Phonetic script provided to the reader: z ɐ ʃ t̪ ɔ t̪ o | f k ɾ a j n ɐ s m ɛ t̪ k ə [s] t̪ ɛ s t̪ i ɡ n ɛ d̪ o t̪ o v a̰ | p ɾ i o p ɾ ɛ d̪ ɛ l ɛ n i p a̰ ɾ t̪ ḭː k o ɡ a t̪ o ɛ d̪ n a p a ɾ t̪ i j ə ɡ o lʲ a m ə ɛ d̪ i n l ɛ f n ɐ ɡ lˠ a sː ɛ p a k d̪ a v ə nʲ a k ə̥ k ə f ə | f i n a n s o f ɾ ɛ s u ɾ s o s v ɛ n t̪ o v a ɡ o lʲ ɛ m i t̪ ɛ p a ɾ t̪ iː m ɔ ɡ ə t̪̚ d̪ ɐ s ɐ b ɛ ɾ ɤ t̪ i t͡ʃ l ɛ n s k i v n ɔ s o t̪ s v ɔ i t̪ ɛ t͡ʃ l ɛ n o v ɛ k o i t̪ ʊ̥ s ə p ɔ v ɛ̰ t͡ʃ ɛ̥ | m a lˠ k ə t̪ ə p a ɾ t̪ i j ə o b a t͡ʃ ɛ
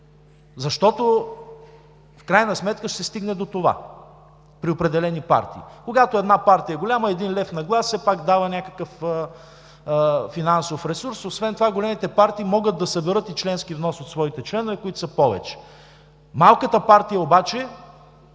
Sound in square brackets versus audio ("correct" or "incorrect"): incorrect